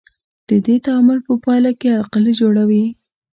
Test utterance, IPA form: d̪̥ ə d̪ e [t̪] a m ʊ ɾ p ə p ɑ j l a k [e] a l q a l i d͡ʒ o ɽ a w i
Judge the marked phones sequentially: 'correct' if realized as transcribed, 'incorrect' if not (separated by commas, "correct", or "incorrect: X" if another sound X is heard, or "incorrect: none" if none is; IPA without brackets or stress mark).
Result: correct, correct